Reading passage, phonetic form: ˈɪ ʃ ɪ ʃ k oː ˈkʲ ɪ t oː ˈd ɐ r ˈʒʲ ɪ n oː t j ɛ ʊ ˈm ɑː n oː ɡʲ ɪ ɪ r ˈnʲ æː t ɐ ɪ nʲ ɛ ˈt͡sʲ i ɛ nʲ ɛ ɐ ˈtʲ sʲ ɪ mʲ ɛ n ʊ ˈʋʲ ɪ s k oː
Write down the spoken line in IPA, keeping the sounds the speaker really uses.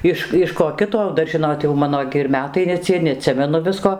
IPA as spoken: ˈɪ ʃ ɪ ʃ k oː ˈkʲ ɪ t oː ˈd ɐ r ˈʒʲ ɪ n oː t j ɛ ʊ ˈm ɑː n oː ɡʲ ɪ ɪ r ˈmʲ æː t ɐ ɪ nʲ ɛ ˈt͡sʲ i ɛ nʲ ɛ ɐ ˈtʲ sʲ ɪ mʲ ɛ n ʊ ˈʋʲ ɪ s k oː